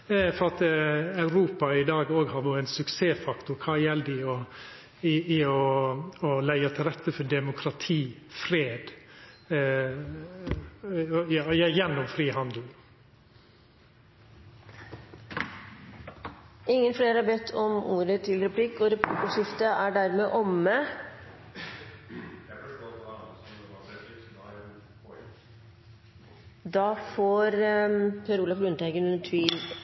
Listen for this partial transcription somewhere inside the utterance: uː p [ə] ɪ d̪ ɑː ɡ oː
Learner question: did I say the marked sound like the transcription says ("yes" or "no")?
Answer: no